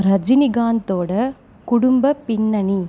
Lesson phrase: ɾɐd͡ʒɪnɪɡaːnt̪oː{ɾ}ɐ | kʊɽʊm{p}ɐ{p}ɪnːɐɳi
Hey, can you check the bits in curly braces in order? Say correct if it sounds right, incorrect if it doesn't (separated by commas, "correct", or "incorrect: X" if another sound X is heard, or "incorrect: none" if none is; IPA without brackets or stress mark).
incorrect: ɽ, incorrect: b, correct